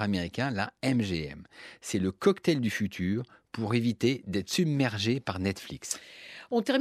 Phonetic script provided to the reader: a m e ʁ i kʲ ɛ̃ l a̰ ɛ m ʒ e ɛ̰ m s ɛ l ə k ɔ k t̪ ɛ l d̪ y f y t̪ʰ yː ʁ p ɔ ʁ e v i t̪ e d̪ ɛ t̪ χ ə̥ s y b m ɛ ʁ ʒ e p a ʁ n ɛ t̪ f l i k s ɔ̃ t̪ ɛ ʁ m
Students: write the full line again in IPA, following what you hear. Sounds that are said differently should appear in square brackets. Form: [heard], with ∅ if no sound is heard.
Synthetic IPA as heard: a m e ʁ i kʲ ɛ̃ l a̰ ɛ m ʒ e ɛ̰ m s ɛ l ə k ɔ k t̪ ɛ l d̪ y f y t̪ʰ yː ʁ p [u] ʁ e v i t̪ e d̪ ɛ t̪ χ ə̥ s y b m ɛ ʁ ʒ e p a ʁ n ɛ t̪ f l i k s ɔ̃ t̪ ɛ ʁ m